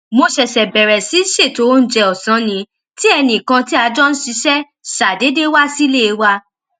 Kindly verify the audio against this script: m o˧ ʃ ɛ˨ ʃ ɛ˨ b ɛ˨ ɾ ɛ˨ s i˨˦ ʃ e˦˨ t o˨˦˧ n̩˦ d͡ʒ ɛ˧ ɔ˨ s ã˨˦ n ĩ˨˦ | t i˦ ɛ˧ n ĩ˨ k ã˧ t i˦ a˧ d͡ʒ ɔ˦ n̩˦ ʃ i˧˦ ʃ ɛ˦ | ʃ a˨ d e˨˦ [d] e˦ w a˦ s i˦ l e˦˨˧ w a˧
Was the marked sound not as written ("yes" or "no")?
no